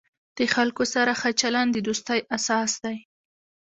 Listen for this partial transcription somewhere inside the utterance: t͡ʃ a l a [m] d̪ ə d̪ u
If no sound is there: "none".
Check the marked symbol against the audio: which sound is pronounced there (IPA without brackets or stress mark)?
n